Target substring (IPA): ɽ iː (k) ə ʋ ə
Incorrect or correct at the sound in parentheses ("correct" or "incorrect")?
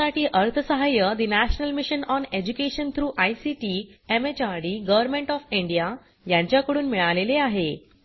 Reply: incorrect